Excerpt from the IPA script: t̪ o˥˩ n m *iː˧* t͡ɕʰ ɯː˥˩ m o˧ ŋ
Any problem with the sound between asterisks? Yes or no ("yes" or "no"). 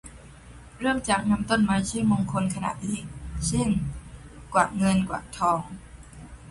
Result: yes